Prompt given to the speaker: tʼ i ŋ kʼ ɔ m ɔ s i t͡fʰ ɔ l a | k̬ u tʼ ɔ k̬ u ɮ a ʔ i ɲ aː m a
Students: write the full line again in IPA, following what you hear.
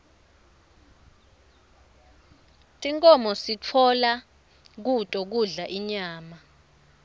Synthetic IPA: tʼ i ŋ kʼ ɔ m ɔ s i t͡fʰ ɔ l a | k̬ u tʼ ɔ k̬ u ɮ a ʔ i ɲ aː m a